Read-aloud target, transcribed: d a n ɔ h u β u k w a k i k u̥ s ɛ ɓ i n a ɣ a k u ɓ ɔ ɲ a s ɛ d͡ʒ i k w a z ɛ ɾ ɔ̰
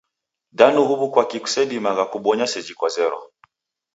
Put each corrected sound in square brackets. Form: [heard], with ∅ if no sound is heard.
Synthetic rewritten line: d a n [u] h u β u k w a k i k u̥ s ɛ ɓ i [m] a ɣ a k u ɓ ɔ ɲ a s ɛ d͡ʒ i k w a z ɛ ɾ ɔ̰